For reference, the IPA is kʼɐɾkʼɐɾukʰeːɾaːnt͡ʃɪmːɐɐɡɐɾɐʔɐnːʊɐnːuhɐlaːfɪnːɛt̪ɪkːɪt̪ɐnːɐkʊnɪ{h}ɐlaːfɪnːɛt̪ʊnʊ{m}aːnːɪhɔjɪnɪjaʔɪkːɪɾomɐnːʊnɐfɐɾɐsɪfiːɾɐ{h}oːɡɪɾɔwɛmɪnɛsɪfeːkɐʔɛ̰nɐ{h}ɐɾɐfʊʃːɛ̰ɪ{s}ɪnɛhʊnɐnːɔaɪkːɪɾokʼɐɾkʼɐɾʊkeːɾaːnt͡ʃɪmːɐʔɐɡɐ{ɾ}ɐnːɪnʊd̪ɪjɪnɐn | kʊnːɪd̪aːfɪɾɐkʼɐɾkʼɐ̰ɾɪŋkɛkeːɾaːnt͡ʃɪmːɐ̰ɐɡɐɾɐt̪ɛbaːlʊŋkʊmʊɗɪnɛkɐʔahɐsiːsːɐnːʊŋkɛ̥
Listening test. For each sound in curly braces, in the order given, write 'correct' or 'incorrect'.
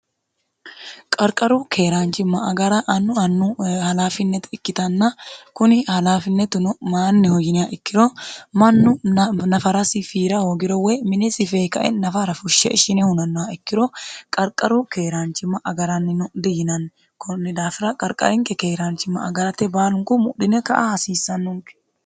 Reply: correct, correct, correct, incorrect, incorrect, correct

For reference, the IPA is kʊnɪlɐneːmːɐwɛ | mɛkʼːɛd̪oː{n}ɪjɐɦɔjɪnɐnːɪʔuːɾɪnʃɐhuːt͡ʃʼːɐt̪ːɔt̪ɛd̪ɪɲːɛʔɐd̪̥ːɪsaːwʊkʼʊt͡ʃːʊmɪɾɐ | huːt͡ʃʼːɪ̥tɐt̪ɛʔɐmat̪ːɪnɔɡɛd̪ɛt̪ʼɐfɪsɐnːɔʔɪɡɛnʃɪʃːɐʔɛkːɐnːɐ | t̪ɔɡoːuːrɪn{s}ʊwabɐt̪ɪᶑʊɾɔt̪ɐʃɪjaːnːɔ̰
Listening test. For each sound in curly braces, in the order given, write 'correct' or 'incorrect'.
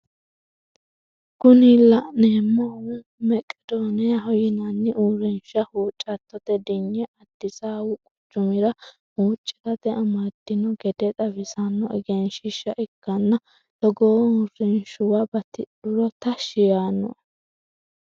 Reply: correct, incorrect

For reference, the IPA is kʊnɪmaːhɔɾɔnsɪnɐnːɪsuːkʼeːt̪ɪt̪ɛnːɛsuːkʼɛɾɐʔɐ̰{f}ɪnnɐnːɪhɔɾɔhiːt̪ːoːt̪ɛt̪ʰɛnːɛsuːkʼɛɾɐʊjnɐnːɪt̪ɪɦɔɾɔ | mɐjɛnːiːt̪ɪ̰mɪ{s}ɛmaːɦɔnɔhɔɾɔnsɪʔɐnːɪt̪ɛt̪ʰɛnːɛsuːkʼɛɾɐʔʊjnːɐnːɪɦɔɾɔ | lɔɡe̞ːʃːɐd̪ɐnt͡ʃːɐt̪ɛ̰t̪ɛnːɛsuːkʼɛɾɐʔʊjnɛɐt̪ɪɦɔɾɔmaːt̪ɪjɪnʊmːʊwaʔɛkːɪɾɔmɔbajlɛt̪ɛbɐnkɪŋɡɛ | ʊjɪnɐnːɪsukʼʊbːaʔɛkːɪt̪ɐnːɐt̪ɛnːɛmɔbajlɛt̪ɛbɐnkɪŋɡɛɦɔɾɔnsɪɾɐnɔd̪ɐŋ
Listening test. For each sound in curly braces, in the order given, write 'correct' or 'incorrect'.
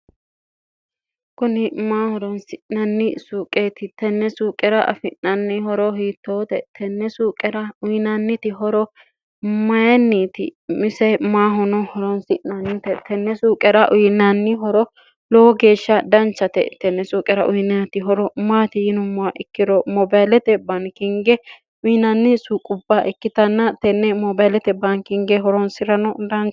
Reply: correct, correct

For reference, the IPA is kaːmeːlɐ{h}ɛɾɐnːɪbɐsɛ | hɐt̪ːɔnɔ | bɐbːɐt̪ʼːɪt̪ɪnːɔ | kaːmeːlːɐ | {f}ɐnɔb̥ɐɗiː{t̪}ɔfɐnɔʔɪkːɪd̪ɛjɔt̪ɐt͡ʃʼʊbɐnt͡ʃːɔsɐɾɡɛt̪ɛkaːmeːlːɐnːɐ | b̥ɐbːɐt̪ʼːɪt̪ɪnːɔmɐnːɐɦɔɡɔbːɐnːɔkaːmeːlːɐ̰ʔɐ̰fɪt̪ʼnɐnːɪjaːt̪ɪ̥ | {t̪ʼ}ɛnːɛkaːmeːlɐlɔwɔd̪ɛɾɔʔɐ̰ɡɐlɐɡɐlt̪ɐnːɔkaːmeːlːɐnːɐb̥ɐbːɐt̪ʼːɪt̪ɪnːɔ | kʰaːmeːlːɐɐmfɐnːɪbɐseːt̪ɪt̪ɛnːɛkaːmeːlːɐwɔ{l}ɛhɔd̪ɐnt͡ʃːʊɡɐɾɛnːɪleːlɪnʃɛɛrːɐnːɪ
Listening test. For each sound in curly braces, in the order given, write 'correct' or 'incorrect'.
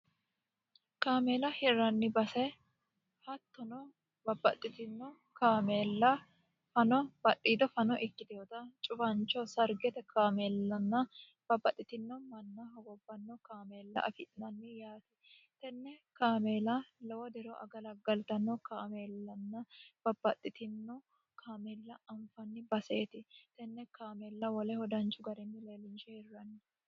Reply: correct, correct, incorrect, incorrect, correct

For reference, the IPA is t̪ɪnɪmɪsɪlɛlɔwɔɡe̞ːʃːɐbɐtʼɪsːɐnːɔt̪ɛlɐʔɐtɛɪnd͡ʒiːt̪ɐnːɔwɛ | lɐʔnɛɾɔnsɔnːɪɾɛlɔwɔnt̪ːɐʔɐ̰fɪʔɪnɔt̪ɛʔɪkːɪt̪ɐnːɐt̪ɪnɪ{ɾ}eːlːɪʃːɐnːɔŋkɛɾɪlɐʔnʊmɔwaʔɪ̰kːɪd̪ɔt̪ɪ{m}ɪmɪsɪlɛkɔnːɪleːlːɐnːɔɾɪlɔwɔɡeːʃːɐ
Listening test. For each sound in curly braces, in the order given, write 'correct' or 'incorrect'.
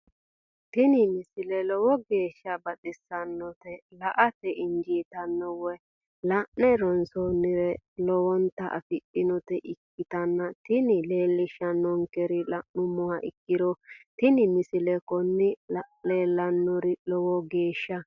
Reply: incorrect, incorrect

